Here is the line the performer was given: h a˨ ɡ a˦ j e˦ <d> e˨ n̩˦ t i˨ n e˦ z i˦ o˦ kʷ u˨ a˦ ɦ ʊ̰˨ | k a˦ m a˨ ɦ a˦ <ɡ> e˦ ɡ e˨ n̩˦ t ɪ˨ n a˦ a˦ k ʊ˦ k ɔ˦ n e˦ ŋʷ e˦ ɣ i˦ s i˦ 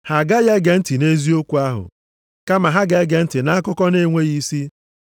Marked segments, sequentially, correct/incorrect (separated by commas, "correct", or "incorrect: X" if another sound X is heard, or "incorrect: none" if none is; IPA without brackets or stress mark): incorrect: ɡ, correct